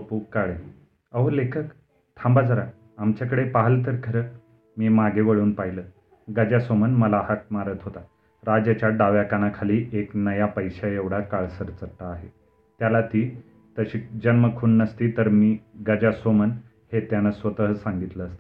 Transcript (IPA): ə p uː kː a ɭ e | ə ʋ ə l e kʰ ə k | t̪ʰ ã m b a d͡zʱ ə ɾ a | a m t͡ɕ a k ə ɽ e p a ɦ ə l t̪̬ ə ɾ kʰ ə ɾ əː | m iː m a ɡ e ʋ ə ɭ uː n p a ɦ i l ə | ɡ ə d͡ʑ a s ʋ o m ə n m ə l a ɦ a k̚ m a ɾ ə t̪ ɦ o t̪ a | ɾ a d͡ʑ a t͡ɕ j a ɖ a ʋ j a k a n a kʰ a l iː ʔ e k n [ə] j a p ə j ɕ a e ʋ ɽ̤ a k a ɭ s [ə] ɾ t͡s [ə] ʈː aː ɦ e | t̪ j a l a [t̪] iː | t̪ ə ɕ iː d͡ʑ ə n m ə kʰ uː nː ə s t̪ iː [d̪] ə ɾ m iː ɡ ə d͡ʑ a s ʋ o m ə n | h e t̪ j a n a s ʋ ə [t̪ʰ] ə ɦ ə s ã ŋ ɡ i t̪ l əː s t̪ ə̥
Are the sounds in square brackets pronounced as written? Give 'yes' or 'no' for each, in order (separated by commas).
yes, yes, yes, yes, no, no